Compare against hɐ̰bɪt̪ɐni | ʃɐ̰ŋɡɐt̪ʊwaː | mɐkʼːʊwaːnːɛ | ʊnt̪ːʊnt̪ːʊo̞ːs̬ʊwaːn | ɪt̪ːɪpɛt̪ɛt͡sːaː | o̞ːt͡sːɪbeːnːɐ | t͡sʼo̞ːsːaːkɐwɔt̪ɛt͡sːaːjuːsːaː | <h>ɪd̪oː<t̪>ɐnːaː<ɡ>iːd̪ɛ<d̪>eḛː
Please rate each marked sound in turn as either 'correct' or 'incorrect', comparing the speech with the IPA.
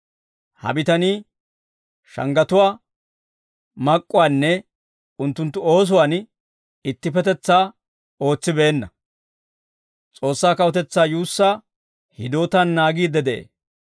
correct, correct, correct, correct

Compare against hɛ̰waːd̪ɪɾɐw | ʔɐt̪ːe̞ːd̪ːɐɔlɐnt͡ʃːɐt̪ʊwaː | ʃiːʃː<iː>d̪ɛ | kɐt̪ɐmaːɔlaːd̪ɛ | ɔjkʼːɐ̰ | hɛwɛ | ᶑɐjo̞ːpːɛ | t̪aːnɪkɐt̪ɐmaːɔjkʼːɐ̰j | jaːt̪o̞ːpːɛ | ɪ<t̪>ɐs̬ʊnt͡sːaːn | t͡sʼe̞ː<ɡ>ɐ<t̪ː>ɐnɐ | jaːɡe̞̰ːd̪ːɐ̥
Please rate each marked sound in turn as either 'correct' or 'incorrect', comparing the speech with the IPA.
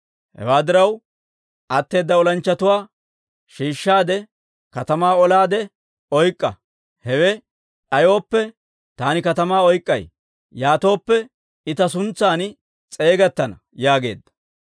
incorrect, correct, correct, correct

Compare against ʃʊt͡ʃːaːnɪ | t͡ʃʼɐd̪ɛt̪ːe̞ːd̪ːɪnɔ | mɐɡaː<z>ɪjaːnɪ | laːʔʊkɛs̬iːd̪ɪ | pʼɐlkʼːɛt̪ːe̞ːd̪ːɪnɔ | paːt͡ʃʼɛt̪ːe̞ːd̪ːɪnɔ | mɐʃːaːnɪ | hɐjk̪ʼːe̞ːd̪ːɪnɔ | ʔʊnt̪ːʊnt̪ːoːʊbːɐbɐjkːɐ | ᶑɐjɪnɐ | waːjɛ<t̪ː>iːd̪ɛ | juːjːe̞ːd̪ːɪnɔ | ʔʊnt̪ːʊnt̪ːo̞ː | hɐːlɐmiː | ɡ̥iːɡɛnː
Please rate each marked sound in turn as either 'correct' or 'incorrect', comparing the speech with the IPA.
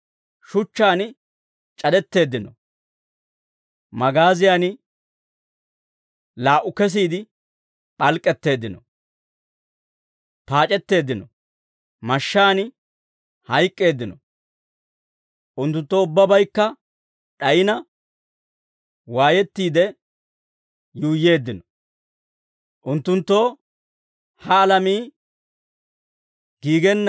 correct, correct

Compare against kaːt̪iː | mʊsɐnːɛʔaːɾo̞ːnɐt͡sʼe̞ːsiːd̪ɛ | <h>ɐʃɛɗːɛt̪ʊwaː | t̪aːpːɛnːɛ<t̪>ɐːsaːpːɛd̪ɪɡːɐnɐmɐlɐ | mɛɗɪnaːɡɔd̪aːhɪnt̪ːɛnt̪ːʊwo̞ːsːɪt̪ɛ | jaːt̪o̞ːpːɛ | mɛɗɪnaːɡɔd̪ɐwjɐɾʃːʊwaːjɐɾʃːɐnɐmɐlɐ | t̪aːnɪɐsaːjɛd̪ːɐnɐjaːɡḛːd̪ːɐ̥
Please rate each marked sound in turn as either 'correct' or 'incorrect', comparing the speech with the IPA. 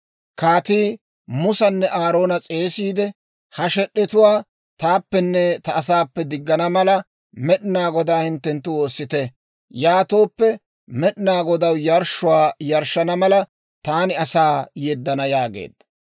correct, correct

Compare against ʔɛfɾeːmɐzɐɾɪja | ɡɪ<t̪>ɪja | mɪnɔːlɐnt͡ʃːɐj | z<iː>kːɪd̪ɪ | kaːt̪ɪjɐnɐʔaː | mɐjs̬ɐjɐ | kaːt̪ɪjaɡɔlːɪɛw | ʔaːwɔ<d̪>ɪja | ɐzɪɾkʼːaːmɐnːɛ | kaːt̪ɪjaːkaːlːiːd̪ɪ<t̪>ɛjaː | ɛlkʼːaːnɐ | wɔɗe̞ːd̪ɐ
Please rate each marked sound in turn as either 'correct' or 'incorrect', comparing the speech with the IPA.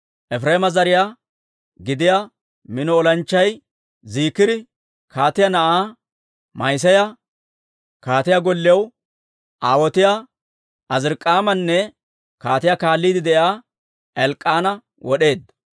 incorrect, correct, incorrect, incorrect

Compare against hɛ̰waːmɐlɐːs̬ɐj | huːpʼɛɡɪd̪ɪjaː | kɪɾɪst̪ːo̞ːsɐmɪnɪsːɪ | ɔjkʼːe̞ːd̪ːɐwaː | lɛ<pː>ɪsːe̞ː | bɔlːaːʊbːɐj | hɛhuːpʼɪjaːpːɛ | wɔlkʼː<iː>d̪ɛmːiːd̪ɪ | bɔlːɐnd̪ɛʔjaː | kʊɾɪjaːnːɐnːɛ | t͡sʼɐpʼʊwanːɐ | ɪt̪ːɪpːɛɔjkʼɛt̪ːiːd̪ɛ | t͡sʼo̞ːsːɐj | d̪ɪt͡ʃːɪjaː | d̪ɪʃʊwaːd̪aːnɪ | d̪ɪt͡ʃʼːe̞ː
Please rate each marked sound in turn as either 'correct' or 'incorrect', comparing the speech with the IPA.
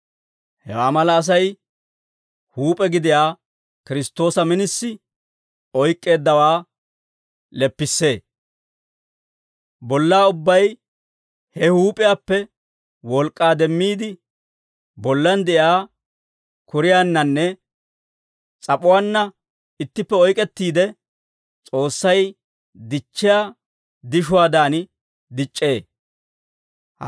correct, incorrect

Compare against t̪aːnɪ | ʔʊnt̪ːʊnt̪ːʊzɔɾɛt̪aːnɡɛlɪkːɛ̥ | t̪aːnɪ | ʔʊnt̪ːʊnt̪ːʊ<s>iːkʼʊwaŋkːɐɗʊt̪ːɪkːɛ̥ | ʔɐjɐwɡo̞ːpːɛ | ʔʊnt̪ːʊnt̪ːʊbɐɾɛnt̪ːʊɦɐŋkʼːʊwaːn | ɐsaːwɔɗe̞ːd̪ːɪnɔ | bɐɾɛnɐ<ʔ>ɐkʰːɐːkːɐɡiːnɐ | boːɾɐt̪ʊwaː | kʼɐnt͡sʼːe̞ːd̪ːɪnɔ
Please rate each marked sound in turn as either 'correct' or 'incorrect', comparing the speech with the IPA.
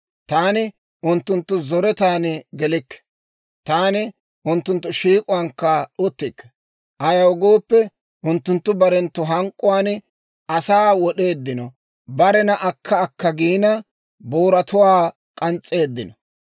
incorrect, correct

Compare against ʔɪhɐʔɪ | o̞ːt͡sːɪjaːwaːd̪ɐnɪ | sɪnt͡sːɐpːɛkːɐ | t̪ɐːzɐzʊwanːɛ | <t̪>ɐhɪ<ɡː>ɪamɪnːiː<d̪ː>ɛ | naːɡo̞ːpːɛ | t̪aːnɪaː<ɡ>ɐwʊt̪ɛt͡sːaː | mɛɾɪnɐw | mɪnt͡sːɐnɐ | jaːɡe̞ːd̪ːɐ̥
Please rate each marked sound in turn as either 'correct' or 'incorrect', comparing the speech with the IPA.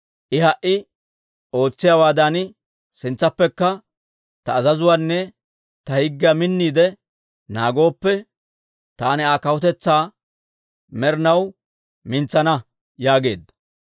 correct, correct, incorrect, incorrect

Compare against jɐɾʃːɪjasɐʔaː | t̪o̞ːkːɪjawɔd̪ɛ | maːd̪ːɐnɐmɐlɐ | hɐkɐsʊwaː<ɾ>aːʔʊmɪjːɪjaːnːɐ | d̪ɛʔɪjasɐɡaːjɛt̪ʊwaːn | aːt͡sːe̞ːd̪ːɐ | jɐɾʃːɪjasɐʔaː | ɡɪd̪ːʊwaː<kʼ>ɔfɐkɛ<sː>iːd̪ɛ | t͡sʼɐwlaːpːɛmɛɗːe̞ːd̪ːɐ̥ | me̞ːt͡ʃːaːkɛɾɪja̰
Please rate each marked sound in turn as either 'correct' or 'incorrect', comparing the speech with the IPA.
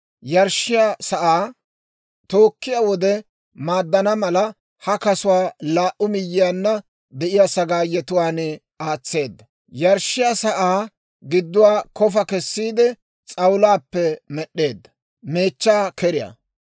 incorrect, incorrect, correct

